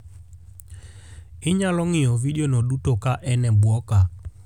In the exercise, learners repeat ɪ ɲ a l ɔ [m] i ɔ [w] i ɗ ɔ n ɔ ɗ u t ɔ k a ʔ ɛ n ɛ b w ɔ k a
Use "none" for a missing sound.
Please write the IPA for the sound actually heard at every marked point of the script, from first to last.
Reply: ŋ, v

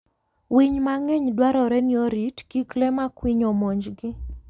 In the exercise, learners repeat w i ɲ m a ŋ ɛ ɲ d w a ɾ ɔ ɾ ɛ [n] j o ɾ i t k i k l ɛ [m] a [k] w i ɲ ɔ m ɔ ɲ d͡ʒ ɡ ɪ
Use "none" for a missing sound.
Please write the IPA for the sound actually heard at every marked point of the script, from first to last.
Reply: n, m, k

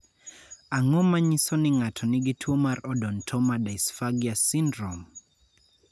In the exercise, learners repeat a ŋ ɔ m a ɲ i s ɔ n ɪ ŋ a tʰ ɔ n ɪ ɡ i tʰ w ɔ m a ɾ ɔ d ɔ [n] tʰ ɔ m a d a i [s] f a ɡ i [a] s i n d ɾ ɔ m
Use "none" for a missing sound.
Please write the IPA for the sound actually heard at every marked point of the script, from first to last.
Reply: n, s, a

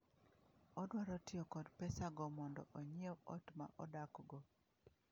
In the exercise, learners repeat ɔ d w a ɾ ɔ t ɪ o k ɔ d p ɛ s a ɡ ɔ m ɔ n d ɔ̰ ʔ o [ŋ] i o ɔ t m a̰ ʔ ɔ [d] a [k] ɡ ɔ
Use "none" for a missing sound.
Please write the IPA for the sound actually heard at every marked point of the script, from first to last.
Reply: ɲ, d, k

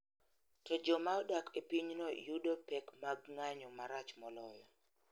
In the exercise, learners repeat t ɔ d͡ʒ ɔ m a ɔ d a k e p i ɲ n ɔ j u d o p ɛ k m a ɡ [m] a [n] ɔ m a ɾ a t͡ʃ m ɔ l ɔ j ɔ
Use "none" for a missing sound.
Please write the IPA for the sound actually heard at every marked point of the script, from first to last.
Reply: ŋ, ɲ

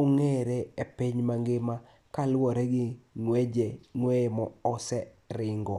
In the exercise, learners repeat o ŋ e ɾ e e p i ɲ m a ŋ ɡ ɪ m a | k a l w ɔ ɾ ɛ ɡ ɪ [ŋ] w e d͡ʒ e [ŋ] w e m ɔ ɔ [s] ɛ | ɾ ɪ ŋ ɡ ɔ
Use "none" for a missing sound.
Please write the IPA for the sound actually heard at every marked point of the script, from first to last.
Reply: ŋ, ŋ, s

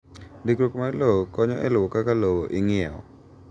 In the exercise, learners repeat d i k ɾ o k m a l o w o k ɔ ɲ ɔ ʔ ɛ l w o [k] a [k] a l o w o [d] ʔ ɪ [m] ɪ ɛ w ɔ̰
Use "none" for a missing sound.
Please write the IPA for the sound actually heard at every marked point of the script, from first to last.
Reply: k, k, none, ŋ

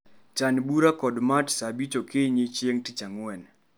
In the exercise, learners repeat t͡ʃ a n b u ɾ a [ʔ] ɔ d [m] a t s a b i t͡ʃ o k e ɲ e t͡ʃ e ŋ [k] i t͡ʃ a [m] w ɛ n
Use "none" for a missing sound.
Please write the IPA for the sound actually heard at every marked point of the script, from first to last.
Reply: k, m, t, ŋ

